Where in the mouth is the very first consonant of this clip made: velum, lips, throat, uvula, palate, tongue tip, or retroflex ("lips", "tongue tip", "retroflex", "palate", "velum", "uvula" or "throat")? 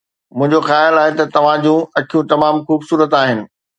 lips